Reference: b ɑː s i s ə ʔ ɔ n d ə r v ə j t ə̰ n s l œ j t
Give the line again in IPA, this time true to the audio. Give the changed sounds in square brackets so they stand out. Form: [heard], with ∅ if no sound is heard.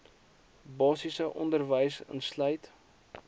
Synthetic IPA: b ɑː s i s ə ʔ ɔ n d ə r v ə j [s] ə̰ n s l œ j t